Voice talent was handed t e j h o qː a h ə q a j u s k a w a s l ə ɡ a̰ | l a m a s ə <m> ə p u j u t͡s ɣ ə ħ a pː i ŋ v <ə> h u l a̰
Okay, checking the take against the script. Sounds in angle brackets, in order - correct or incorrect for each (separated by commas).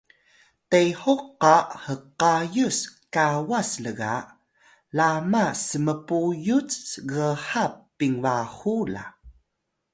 correct, incorrect